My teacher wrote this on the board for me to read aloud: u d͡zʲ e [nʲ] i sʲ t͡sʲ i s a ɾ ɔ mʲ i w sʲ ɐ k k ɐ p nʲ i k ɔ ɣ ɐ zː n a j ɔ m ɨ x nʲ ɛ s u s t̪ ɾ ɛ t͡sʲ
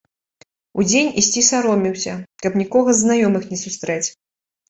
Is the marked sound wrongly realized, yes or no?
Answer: no